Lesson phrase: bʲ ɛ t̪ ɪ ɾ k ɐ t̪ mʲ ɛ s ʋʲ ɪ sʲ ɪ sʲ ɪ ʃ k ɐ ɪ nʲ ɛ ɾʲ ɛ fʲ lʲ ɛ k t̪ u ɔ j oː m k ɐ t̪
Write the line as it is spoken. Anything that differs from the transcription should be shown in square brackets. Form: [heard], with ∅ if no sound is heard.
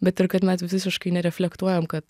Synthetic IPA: bʲ ɛ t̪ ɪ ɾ k ɐ t̪ mʲ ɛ s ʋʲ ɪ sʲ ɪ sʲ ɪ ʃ k ɐ ɪ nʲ ɛ ɾʲ ɛ fʲ lʲ ɛ k t̪ u ɔ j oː m k ɐ t̪